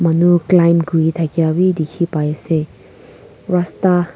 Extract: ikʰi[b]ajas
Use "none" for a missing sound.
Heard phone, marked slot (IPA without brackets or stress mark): p